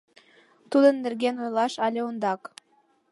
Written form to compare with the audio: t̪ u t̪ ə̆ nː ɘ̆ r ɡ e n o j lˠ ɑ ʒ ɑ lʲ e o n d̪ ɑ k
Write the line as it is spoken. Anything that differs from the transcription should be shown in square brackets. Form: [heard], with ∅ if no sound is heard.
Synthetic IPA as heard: t̪ u [d̪] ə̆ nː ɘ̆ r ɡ e n o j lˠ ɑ [ʃ] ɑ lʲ e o n d̪ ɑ k